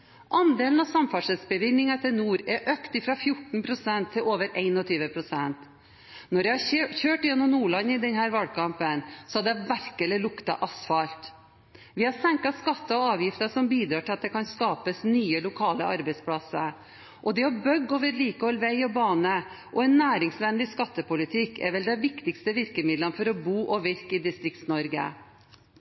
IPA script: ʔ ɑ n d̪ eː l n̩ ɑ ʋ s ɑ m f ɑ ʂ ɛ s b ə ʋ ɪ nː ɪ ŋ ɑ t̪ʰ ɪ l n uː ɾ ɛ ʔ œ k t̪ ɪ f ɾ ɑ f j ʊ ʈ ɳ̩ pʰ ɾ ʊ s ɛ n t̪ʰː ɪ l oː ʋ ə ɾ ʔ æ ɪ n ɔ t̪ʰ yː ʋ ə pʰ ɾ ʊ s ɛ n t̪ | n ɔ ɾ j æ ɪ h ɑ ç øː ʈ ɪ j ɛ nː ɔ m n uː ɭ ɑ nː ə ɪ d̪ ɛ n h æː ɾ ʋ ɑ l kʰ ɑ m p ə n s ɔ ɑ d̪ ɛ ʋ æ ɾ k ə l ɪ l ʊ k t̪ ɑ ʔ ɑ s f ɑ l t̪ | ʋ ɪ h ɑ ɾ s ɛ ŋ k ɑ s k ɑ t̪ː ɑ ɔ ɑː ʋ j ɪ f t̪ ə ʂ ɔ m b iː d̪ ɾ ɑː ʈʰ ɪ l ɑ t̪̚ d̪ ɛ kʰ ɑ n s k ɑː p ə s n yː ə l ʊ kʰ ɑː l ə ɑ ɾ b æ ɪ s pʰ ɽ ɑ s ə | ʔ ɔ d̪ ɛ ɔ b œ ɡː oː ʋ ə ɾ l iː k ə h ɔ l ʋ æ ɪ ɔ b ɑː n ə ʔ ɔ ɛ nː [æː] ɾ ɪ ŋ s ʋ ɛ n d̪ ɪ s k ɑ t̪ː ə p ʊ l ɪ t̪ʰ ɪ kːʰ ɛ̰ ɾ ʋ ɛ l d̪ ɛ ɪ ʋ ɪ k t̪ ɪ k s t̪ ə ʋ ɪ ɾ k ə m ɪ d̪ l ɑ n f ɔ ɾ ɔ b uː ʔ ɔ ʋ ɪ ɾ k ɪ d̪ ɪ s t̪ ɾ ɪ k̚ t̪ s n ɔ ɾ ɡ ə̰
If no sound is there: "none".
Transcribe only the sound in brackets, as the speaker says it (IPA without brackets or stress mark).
æː